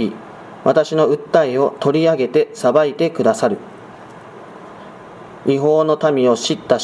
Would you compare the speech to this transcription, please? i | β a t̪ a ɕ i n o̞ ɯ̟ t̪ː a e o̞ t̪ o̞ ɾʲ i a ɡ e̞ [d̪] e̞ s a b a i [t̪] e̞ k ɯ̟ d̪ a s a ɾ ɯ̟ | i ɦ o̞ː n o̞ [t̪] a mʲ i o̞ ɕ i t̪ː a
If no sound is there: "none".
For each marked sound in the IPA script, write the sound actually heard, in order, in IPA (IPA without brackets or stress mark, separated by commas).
t̪, t̪, t̪